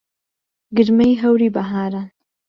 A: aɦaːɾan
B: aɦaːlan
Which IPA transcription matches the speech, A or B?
A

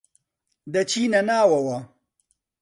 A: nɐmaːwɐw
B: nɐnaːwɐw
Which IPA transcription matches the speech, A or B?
B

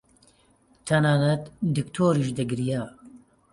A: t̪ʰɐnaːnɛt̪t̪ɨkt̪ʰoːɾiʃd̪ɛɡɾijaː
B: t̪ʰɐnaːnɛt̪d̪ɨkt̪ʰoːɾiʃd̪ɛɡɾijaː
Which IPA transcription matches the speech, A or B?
B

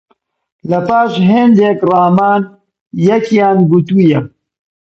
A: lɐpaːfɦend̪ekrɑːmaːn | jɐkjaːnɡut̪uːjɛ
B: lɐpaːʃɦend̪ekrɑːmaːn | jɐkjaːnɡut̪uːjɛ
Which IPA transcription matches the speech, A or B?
B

